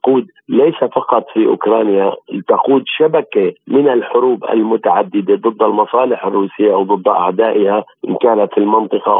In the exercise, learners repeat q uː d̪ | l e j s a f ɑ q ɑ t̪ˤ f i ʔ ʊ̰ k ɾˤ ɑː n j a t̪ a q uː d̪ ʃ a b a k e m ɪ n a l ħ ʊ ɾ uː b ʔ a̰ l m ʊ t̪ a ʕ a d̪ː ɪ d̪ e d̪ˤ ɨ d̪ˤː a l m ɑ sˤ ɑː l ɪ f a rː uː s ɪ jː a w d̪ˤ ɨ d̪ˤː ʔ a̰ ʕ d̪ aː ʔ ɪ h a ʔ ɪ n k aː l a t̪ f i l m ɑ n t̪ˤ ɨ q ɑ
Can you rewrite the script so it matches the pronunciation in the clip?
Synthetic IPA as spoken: q uː d̪ | l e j s a f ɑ q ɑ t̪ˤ f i ʔ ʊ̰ k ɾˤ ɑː n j a t̪ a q uː d̪ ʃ a b a k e m ɪ n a l ħ ʊ ɾ uː b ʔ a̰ l m ʊ t̪ a ʕ a d̪ː ɪ d̪ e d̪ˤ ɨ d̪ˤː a l m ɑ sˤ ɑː l ɪ ħ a rː uː s ɪ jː a w d̪ˤ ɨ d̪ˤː ʔ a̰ ʕ d̪ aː ʔ ɪ h a ʔ ɪ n k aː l a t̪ f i l m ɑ n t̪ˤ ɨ q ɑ